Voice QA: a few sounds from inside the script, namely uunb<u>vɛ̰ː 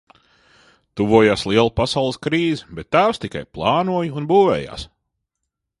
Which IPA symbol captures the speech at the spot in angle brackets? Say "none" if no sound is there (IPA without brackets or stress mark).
uː